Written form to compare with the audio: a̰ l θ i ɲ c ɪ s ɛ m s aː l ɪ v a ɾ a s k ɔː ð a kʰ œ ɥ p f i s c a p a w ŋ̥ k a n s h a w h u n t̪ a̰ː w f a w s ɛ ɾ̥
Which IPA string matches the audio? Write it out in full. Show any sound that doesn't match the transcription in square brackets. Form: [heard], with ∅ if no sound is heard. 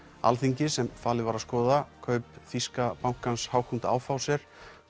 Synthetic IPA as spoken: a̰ l θ i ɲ c ɪ s ɛ m [f] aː l ɪ v a ɾ a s k ɔː ð a kʰ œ ɥ p f i s [k] a p a w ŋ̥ k a n s h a w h u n t̪ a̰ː w f a w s ɛ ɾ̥